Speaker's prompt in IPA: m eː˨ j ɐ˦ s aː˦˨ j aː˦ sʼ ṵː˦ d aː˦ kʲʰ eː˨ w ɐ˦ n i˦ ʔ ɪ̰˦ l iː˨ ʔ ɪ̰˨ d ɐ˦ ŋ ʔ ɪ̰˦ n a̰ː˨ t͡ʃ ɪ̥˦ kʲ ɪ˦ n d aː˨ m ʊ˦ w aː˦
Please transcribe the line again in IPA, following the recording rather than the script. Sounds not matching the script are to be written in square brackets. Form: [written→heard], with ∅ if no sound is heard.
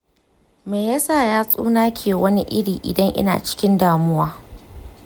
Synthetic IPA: m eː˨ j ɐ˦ s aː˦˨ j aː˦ sʼ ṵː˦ [d→n] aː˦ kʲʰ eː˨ w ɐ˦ n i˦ ʔ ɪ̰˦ [l→ɽ] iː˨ ʔ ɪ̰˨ d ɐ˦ ŋ ʔ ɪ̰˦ n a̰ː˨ t͡ʃ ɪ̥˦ kʲ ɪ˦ n d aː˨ m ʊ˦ w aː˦